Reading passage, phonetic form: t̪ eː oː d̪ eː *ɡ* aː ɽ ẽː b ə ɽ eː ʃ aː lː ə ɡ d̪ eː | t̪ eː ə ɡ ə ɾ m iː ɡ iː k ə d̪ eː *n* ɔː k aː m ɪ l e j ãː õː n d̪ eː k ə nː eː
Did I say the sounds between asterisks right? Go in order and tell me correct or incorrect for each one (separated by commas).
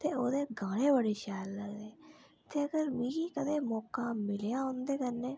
correct, incorrect